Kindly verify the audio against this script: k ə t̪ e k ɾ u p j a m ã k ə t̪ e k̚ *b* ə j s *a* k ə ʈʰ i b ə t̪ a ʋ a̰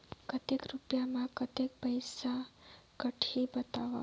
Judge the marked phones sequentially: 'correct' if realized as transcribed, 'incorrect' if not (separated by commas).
incorrect, correct